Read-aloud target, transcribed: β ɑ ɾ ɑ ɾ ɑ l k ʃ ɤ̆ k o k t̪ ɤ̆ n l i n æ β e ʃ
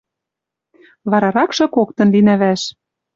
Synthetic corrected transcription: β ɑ ɾ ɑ ɾ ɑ k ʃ ɤ̆ k o k t̪ ɤ̆ n l i n æ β æ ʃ